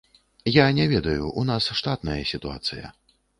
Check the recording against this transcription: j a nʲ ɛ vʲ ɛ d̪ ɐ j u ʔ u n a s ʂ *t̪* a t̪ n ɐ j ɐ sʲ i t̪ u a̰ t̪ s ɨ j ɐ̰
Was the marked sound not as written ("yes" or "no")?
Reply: no